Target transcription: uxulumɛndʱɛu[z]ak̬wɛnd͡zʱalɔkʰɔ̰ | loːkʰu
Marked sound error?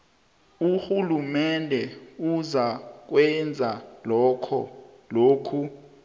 no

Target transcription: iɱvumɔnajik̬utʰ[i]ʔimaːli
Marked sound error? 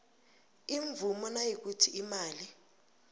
no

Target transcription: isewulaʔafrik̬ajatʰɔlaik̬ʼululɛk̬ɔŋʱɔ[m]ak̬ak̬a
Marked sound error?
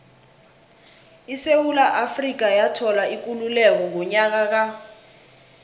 yes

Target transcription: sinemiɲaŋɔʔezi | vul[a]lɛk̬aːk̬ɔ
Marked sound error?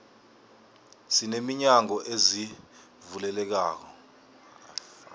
yes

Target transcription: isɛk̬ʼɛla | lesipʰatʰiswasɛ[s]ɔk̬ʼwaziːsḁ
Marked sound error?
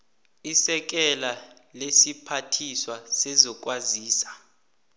yes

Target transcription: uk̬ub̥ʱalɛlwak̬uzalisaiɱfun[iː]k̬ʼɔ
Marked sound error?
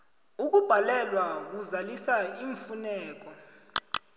yes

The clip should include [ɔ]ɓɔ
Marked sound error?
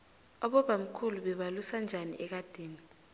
no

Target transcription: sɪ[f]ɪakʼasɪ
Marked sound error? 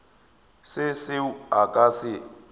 yes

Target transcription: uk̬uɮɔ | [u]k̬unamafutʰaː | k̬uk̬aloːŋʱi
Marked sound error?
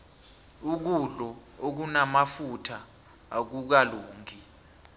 yes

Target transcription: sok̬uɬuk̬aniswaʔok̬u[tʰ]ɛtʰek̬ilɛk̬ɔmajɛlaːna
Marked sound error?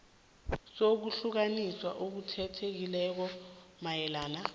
no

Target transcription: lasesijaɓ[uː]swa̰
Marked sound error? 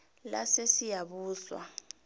no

